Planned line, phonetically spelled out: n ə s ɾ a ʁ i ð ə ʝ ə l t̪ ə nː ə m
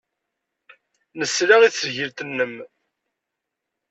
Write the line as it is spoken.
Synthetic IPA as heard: n ə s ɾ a ʁ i θ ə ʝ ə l t̪ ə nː ə m